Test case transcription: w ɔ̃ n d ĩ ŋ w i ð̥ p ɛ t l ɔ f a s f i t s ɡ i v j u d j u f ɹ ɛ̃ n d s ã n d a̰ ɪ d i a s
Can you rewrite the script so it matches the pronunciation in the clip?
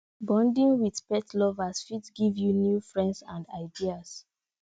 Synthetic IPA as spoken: b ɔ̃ n d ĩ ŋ w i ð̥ p ɛ t l ɔ v a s f i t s ɡ i v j u n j u f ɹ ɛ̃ n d s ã n d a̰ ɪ d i a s